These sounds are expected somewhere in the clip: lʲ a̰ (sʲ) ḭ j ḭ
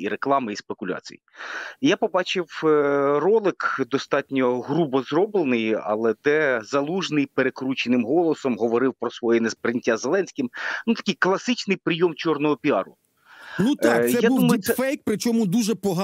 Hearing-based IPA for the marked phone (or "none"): t͡sʲ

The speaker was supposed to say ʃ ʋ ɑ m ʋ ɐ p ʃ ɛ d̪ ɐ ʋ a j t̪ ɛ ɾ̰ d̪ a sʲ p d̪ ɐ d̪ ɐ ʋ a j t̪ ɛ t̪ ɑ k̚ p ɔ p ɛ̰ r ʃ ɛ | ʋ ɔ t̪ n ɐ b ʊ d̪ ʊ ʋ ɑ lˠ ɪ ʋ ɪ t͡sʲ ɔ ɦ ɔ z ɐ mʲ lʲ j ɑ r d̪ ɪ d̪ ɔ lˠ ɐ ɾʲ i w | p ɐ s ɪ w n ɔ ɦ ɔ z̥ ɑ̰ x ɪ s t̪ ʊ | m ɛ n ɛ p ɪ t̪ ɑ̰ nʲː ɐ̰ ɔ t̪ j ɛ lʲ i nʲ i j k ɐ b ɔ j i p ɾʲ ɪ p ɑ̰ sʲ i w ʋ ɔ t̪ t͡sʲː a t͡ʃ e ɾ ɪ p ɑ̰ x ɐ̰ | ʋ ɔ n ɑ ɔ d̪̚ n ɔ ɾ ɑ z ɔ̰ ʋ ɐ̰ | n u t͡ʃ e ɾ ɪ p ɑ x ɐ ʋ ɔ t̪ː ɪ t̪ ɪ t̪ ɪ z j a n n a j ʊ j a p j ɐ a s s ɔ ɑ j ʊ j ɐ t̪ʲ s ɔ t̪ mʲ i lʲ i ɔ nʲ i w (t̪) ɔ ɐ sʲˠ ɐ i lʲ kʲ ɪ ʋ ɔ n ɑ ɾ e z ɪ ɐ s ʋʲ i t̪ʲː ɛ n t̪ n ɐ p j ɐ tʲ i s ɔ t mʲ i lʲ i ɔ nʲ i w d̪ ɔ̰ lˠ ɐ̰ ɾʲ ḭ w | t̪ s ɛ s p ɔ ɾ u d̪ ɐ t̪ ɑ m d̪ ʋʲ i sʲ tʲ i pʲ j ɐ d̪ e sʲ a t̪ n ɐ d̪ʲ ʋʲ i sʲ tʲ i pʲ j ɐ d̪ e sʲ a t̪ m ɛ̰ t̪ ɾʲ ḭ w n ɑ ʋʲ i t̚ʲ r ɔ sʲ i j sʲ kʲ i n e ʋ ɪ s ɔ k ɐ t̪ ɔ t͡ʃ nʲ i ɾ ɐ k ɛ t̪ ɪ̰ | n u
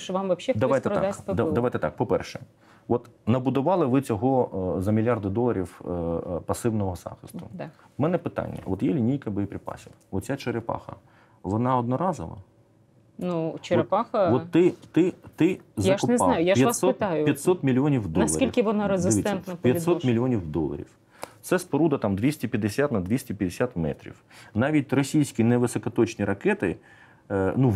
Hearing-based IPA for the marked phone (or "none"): d̪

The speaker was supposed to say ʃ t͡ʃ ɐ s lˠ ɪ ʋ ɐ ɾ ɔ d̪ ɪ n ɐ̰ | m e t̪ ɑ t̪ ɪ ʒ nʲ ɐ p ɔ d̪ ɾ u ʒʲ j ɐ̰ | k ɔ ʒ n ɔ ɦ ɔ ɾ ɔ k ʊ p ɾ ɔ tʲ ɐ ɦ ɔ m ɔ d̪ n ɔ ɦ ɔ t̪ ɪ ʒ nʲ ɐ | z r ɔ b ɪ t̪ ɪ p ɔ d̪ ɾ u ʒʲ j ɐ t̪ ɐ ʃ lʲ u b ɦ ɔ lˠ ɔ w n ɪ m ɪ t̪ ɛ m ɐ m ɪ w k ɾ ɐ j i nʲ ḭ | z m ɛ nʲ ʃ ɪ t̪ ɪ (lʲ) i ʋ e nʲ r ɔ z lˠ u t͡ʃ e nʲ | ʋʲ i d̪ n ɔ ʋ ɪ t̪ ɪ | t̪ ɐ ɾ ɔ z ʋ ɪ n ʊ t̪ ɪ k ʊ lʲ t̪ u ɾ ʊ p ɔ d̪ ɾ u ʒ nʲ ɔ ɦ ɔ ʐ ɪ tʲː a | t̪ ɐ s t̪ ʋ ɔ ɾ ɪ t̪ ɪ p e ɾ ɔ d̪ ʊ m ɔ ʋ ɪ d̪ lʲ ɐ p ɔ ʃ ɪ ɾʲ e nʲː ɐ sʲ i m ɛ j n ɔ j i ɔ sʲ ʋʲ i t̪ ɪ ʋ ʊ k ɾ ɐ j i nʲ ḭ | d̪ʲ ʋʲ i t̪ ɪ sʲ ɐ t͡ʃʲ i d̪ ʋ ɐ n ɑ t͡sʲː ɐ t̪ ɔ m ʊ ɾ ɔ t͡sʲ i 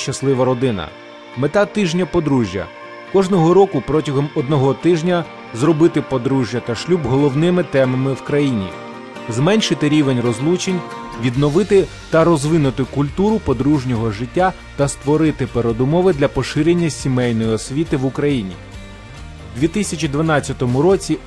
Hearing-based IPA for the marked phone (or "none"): ɾʲ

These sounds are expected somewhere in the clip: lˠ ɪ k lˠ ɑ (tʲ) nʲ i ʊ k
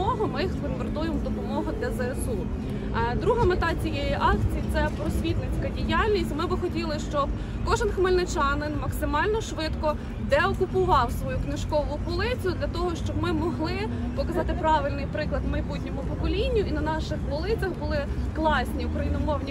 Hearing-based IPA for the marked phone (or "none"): sʲ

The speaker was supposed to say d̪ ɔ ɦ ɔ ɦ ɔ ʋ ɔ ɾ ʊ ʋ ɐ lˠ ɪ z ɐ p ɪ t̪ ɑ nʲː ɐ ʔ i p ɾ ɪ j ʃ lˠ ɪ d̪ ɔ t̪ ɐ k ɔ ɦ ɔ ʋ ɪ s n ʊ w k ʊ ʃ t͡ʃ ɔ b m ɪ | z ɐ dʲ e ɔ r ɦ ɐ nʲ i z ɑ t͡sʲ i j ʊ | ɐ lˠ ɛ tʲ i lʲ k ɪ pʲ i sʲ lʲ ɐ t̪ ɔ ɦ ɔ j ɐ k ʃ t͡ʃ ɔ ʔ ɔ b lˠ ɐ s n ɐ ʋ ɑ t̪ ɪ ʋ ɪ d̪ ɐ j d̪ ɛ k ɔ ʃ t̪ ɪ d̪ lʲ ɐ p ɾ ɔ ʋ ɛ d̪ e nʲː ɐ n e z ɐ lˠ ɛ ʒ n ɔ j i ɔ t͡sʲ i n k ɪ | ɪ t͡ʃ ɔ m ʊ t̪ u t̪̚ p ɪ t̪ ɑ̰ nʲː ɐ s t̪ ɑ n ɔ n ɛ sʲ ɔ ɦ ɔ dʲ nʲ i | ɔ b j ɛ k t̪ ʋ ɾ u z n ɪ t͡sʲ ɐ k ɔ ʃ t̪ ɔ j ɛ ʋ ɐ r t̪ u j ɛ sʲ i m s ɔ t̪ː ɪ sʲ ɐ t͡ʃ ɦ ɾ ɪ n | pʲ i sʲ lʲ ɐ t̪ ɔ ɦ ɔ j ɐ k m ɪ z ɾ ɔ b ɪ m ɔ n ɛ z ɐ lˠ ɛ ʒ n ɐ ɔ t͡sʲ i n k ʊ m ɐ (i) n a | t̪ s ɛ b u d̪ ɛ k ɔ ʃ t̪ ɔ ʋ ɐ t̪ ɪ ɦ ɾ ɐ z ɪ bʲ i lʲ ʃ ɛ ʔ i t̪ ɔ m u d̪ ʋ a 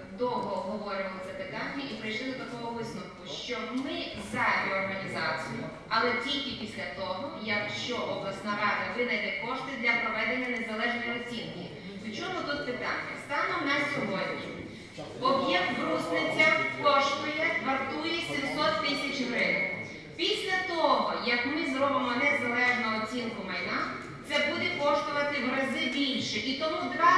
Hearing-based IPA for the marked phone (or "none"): j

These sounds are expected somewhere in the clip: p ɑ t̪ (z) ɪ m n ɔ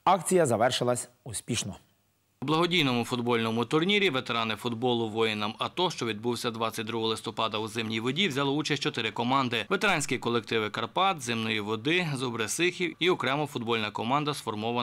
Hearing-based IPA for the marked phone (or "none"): z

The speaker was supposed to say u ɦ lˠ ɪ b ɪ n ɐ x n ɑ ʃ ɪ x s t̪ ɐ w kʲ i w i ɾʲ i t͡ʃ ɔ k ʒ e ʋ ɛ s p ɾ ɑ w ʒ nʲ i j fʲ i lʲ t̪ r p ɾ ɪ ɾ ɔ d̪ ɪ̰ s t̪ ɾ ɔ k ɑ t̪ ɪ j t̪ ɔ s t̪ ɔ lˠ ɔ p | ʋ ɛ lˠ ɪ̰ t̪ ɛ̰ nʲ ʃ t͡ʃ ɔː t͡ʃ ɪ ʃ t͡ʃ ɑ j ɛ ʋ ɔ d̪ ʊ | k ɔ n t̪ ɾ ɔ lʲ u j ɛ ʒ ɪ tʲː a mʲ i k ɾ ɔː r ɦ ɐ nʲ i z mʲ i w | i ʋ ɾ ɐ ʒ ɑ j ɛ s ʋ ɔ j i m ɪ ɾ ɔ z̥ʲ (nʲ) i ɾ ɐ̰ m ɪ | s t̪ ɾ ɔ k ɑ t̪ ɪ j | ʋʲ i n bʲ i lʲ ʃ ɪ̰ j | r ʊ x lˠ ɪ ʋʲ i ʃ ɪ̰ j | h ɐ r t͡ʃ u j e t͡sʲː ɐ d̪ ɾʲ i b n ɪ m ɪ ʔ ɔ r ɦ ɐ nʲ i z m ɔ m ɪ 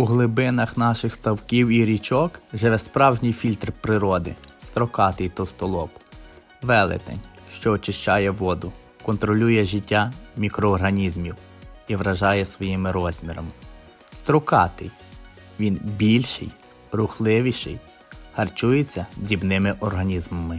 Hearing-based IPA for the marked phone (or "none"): mʲ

